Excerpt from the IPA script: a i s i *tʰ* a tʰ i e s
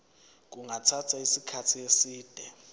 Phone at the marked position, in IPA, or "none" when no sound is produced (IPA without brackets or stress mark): kʰ